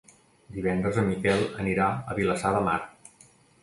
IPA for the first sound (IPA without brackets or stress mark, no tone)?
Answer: d̪